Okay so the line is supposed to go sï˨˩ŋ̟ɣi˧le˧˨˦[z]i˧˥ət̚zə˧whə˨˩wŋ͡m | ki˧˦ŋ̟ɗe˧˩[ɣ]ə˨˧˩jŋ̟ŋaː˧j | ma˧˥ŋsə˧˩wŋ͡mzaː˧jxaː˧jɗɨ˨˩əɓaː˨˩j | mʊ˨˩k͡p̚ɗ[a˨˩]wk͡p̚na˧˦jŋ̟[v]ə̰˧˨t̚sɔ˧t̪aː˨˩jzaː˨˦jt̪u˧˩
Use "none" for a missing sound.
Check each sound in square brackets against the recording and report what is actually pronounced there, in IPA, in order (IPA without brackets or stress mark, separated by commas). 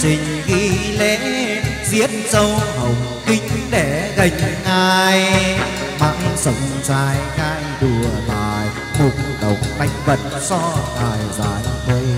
z, ɣ, ə˨˩, v